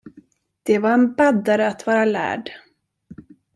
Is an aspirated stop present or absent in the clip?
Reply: absent